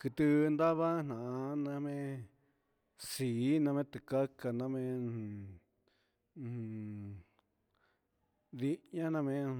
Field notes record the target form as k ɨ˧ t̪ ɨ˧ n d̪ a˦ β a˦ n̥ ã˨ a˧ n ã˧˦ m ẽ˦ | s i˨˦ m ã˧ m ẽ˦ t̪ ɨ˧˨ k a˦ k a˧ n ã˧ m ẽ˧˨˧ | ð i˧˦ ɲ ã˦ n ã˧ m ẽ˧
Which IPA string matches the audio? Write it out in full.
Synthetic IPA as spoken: k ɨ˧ t̪ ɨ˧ n d̪ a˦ β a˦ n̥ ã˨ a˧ n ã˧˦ m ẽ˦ | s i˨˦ n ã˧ m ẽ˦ t̪ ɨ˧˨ k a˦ k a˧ n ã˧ m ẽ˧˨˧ | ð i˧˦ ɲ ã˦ n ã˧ m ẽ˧